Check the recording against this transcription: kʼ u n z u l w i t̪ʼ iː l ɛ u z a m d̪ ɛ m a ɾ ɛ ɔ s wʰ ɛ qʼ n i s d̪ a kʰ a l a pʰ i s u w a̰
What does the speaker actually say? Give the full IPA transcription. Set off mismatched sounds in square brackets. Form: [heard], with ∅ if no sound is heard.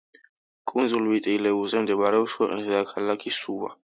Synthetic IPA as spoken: kʼ u n z u l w i t̪ʼ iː l ɛ u z [ɛ] m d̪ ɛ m a ɾ ɛ ɔ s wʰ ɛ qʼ n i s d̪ a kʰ a l a [kʰ] i s u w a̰